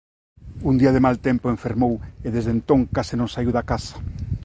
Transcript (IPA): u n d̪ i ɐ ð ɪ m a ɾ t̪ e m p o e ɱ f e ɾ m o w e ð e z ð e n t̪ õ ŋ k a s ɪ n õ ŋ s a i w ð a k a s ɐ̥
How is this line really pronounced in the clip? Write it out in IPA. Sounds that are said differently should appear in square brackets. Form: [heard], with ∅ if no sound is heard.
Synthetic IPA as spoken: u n d̪ i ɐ ð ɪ m a [l] t̪ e m p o e ɱ f e ɾ m o w e ð e z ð e n t̪ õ ŋ k a s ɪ n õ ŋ s a i w ð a k a s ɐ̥